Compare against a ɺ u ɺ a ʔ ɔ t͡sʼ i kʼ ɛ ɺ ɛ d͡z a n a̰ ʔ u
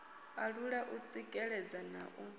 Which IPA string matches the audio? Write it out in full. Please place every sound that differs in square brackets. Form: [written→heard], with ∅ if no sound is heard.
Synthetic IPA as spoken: a ɺ u ɺ a ʔ [ɔ→u] t͡sʼ i kʼ ɛ ɺ ɛ d͡z a n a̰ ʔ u